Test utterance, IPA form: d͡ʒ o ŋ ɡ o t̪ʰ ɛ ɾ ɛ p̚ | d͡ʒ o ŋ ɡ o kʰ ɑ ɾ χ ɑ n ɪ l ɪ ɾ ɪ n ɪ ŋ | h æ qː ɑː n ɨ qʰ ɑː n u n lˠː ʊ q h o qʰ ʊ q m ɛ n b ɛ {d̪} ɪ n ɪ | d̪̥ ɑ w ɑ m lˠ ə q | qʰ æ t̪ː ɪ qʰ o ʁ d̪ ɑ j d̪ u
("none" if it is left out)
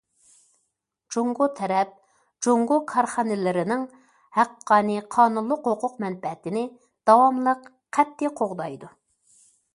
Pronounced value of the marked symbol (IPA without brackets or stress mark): t̪